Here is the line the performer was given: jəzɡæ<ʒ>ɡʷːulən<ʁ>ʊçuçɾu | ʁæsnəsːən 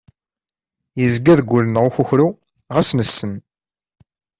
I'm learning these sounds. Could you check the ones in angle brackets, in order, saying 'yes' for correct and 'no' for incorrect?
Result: no, yes

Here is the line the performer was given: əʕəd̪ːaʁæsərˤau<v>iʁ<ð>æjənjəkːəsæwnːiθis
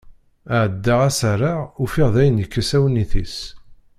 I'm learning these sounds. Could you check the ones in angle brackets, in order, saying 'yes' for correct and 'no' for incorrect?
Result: no, yes

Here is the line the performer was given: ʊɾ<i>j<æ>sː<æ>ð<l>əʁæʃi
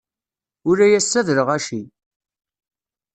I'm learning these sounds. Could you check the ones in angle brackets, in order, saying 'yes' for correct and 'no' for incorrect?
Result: no, yes, yes, no

